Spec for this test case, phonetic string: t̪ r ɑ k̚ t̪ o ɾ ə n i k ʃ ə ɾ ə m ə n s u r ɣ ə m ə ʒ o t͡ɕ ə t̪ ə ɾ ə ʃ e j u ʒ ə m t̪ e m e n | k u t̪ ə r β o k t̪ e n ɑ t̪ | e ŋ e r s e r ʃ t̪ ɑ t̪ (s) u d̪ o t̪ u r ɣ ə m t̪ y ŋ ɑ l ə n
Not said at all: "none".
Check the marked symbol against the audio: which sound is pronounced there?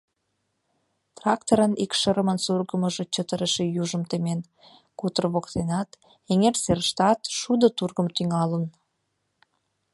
ʃ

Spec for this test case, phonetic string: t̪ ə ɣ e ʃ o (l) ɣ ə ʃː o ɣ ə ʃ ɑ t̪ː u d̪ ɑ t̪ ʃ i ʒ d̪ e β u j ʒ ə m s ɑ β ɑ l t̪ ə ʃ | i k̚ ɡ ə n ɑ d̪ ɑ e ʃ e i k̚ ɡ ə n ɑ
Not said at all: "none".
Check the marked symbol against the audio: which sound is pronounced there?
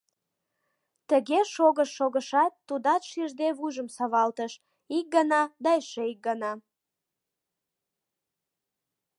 none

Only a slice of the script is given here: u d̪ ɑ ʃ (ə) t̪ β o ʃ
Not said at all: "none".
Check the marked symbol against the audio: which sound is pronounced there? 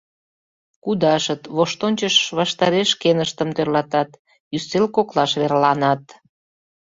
ə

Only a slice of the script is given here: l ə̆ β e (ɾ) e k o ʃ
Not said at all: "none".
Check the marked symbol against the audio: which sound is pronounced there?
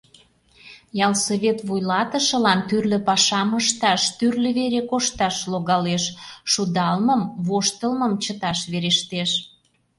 ɾ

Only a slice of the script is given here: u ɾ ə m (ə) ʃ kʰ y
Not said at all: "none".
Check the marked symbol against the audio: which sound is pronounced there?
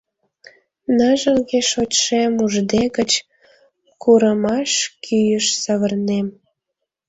ɑ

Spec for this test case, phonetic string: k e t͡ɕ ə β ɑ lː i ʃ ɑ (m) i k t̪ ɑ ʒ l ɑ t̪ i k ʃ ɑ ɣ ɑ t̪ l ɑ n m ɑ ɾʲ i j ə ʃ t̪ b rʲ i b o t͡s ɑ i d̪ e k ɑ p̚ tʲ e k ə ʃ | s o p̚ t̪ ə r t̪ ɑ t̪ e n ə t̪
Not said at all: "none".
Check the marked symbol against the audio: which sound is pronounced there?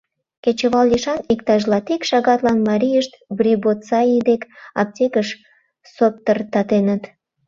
n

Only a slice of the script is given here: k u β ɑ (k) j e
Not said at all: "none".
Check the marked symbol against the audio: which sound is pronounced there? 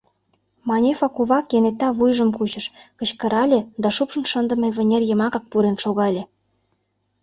k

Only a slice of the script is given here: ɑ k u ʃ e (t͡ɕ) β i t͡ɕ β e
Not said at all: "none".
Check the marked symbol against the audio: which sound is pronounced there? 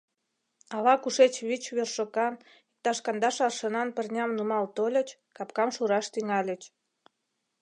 t͡ɕ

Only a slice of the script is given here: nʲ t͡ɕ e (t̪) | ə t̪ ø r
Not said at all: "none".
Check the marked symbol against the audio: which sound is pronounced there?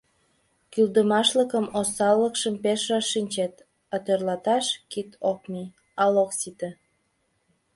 t̪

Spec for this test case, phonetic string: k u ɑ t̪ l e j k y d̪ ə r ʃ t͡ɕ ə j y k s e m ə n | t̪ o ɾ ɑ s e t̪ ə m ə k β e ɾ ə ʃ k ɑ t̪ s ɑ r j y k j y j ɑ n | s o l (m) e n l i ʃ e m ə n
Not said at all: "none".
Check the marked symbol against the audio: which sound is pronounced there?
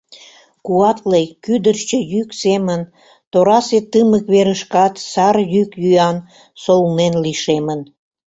n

